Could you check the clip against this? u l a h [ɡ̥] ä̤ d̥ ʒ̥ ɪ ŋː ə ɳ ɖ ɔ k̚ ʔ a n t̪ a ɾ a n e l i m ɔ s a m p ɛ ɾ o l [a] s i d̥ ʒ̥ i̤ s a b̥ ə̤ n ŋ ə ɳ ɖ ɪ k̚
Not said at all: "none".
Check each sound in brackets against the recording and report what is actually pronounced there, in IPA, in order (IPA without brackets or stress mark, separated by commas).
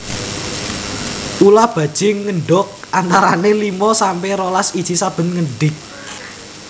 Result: b̥, a